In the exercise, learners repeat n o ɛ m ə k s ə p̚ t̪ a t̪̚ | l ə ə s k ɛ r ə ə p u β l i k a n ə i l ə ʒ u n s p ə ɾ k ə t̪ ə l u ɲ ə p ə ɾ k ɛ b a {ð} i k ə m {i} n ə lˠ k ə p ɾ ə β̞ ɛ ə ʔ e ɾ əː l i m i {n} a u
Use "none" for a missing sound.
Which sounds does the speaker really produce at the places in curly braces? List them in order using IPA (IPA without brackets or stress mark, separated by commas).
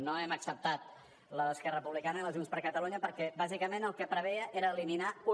z, e, n